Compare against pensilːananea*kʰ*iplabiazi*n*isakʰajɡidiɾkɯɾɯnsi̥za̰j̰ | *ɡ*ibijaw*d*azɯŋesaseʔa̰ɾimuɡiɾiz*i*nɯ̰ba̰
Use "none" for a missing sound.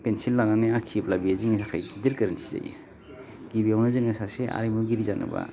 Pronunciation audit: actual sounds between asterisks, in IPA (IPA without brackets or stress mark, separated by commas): kʰ, ŋ, ɡ, n, a